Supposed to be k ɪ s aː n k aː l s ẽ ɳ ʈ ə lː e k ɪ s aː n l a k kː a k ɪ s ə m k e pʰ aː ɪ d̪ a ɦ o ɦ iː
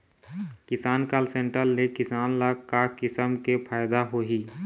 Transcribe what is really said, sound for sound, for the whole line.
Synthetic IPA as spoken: k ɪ s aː n k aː l s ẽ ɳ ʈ ə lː e k ɪ s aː n l a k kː a k ɪ s ə m k e pʰ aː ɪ d̪ a ɦ o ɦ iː